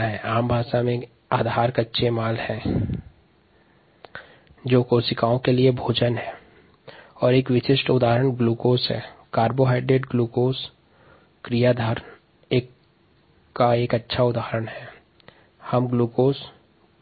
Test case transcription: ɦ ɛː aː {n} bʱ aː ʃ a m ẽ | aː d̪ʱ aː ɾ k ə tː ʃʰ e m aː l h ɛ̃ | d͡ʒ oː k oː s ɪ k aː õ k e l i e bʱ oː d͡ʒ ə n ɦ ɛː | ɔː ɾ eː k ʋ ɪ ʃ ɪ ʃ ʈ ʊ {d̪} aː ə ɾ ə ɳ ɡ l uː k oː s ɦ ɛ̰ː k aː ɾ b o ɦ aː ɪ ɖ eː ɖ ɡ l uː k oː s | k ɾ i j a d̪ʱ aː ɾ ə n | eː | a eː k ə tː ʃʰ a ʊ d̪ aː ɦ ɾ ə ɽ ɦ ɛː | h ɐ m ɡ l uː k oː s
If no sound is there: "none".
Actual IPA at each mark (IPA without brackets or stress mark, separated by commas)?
m, d̪